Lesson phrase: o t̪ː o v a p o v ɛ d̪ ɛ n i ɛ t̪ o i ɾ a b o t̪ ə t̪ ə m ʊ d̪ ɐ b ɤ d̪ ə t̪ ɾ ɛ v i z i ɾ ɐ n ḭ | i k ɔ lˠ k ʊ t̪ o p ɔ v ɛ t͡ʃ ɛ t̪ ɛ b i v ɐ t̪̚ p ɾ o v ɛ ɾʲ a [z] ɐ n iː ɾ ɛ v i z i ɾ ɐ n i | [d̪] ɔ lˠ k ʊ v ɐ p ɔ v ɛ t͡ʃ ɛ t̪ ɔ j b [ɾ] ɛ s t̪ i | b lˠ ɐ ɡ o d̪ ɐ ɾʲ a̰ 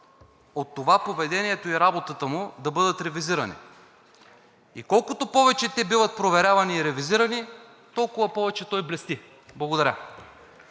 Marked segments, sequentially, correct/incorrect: incorrect, incorrect, incorrect

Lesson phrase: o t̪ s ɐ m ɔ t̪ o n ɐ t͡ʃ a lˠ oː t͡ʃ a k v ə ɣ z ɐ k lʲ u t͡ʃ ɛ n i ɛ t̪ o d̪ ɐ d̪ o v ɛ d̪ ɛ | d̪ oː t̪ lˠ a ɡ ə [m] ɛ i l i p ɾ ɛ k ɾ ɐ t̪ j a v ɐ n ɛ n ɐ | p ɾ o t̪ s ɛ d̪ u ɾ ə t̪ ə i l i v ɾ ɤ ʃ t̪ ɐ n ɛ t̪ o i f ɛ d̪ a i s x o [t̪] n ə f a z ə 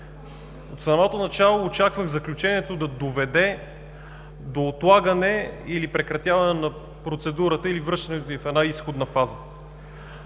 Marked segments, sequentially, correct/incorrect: incorrect, incorrect

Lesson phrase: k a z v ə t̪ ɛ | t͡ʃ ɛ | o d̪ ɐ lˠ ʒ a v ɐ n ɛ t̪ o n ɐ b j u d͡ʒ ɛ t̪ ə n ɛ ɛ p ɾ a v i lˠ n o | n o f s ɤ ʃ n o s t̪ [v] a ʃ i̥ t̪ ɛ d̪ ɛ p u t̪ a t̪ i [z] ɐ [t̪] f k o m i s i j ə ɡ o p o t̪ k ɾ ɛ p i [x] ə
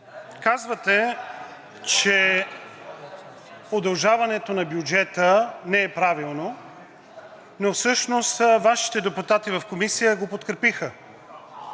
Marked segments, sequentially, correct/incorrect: correct, incorrect, incorrect, correct

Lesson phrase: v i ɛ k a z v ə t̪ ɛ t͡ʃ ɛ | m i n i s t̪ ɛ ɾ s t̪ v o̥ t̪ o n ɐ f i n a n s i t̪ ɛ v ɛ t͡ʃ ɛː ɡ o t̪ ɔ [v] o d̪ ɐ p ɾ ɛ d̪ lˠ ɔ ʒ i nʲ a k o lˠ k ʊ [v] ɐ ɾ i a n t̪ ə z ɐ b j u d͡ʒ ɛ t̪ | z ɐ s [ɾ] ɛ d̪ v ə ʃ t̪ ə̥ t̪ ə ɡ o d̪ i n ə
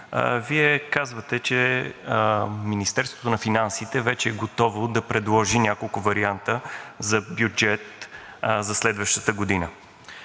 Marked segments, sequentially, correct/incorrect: correct, correct, incorrect

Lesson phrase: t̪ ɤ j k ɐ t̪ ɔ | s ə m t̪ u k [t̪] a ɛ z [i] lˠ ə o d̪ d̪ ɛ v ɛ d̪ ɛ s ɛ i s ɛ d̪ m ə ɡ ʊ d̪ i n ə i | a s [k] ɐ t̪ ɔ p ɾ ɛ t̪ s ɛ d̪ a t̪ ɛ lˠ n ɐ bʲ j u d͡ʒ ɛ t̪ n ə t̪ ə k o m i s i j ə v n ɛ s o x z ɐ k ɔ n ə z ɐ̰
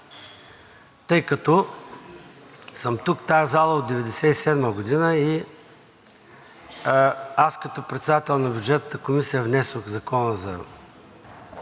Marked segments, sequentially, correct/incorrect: correct, incorrect, correct

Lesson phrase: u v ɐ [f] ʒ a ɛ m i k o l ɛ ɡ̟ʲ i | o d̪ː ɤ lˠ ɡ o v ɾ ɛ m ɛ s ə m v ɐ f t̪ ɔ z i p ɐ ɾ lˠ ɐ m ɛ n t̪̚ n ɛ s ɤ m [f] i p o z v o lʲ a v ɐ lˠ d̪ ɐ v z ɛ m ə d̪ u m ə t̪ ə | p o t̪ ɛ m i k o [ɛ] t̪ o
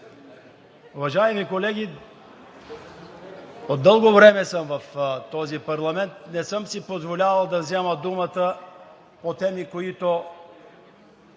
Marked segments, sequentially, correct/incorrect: incorrect, incorrect, incorrect

